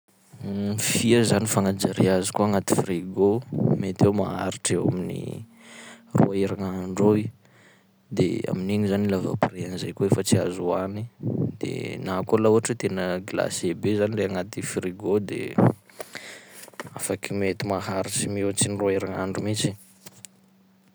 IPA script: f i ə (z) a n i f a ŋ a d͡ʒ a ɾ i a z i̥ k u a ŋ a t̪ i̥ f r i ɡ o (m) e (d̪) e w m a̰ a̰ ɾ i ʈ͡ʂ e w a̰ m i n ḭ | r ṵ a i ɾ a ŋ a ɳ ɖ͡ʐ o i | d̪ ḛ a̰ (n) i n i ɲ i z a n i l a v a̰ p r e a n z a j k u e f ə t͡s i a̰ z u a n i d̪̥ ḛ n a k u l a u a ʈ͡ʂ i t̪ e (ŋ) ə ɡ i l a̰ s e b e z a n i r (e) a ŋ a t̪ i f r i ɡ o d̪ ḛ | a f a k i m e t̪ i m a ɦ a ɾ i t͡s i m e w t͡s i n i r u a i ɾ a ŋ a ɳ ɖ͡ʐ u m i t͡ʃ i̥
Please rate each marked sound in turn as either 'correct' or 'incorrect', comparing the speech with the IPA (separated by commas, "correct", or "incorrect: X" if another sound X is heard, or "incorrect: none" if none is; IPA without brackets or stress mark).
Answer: correct, correct, incorrect: t̪, incorrect: m, incorrect: n, correct